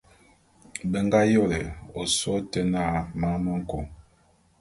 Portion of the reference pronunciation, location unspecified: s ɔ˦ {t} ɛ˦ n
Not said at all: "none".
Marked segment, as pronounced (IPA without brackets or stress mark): t